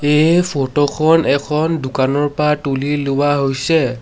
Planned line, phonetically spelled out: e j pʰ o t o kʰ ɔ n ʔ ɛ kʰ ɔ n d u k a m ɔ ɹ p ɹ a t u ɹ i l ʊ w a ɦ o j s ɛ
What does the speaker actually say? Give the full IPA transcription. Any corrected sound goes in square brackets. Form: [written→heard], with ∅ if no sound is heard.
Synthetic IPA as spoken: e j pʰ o t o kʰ ɔ n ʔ ɛ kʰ ɔ n d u k a [m→n] ɔ ɹ p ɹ a t u [ɹ→l] i l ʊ w a ɦ o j s ɛ